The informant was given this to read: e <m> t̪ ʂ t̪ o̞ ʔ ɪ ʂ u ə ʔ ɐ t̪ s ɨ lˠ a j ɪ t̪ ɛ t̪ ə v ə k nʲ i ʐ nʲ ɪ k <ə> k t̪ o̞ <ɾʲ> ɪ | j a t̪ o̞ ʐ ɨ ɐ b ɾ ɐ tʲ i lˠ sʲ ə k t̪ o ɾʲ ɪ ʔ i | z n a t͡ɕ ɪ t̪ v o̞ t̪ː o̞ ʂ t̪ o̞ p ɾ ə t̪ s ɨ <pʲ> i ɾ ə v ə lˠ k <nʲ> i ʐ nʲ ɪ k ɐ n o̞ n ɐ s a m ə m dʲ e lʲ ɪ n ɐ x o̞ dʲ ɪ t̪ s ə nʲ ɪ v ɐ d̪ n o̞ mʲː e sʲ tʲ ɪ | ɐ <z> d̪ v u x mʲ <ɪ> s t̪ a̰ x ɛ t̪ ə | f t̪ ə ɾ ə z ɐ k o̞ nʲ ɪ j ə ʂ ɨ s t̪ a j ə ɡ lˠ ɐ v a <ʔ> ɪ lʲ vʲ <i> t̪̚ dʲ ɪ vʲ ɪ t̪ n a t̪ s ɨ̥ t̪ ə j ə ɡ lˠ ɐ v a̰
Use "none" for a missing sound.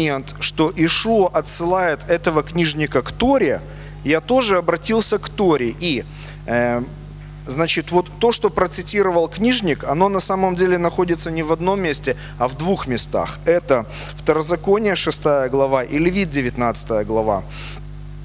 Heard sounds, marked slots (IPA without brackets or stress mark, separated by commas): n, ə, ɾʲ, tʲ, nʲ, v, ɪ, ʔ, i